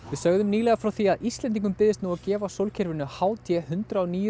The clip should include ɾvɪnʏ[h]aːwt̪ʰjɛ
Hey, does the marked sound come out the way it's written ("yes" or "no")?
yes